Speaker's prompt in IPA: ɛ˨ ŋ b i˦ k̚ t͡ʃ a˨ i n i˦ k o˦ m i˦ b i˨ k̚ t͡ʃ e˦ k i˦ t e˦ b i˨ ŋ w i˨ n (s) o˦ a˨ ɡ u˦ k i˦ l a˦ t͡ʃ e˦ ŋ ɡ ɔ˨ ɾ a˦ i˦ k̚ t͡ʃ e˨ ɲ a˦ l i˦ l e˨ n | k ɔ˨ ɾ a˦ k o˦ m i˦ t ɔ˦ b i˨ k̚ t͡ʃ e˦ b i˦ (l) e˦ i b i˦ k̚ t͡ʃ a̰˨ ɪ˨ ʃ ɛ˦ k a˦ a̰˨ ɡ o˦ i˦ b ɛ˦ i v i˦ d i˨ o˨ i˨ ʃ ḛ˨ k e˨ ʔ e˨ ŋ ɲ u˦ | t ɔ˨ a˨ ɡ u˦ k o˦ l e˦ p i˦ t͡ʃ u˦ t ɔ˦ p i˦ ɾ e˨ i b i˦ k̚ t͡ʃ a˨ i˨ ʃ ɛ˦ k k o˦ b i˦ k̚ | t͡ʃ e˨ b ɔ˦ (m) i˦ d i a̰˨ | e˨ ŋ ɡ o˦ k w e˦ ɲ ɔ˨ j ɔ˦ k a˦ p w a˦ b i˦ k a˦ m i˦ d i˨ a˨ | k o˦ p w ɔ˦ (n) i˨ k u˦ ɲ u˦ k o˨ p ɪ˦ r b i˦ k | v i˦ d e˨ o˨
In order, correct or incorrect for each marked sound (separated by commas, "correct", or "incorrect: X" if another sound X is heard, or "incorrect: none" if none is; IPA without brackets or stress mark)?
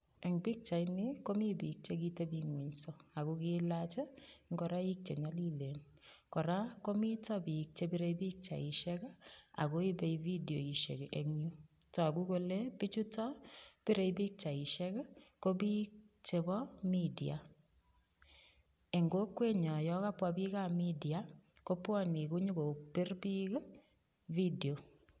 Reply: correct, incorrect: ɾ, correct, correct